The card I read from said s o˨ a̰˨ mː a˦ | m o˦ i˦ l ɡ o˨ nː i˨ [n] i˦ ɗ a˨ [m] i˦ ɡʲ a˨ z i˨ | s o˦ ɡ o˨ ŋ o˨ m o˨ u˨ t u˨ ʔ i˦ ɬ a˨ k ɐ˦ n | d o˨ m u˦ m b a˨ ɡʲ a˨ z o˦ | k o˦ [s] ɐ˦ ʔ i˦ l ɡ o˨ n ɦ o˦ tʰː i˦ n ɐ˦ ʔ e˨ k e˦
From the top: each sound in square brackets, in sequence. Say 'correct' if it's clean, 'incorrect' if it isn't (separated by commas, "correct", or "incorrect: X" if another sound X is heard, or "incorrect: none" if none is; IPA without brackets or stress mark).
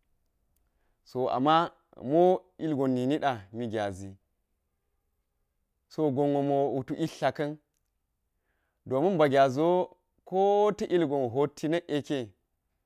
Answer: correct, correct, incorrect: t